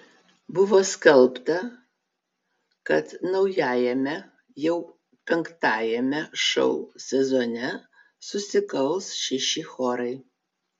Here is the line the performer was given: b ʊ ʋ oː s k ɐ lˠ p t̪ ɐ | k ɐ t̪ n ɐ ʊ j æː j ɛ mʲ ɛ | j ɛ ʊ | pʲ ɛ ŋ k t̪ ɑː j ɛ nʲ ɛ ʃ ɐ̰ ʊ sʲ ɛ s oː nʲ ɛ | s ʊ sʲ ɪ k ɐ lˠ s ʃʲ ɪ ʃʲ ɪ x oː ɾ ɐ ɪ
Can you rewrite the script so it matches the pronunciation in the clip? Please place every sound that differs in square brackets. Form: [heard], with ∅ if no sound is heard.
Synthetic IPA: b ʊ ʋ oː s k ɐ lˠ p t̪ ɐ | k ɐ t̪ n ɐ ʊ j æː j ɛ mʲ ɛ | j ɛ ʊ | pʲ ɛ ŋ k t̪ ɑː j ɛ [mʲ] ɛ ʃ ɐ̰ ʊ sʲ ɛ [z] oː nʲ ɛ | s ʊ sʲ ɪ k ɐ lˠ s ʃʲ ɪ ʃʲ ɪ x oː ɾ ɐ ɪ